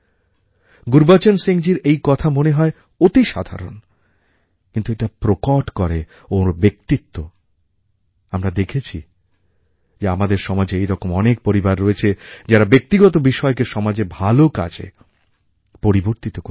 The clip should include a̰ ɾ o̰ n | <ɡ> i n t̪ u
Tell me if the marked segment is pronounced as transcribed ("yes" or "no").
no